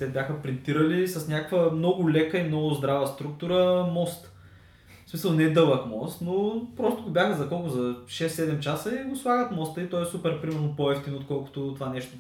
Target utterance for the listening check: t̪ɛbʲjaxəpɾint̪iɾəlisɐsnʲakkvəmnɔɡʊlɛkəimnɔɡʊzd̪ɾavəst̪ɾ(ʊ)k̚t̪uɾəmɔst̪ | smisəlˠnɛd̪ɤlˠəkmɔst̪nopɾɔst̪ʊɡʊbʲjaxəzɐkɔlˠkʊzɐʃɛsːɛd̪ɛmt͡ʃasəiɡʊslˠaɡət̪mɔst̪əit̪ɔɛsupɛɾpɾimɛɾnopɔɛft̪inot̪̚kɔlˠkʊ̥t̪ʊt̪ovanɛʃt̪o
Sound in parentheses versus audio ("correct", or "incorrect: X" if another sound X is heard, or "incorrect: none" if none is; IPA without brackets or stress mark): incorrect: u